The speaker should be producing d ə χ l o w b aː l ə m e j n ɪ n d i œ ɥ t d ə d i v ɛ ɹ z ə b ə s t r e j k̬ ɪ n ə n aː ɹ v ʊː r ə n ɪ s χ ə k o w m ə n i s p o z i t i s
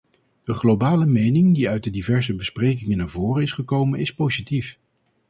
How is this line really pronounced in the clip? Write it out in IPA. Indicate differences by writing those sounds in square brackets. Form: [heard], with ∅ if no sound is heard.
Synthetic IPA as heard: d ə χ l o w b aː l ə m e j n ɪ [ŋ] d i œ ɥ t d ə d i v ɛ ɹ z ə b ə s [p] r e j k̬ ɪ [ŋ] ə n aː ɹ v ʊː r ə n ɪ s χ ə k o w m ə n [ɪ] s p o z i t i [f]

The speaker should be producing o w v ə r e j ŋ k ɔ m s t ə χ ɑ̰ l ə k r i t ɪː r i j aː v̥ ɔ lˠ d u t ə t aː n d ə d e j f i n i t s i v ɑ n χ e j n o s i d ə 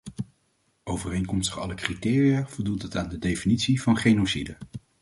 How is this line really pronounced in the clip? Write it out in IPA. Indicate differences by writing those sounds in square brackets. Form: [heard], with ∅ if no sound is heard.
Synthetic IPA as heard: o w v ə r e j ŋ k ɔ m s t ə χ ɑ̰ l ə k r i t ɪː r i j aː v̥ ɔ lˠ d u t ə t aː n d ə d e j f i n i t s i v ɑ n χ e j n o s i d ə

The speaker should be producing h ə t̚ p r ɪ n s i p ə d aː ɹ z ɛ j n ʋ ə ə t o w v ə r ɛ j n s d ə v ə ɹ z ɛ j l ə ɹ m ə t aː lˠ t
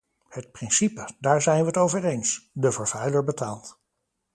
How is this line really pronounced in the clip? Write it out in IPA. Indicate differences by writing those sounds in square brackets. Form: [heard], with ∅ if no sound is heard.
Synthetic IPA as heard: h ə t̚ p r ɪ n s i p ə d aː ɹ z ɛ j n ʋ ə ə t o w v ə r [e] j n s d ə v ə ɹ [v] ɛ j l ə ɹ [b] ə t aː lˠ t

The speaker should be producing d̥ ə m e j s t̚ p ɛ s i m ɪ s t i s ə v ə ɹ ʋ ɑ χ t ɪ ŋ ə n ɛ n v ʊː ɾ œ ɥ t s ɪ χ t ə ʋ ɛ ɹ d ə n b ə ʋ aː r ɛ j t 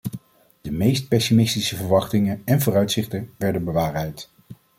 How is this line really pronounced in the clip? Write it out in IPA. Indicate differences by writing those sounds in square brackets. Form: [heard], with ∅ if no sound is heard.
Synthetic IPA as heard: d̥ ə m e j s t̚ p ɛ s i m ɪ s t i s ə v ə ɹ ʋ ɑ χ t ɪ ŋ ə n ɛ n v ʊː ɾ œ ɥ t s ɪ χ t ə ʋ ɛ ɹ d ə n b ə ʋ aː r ɛ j t

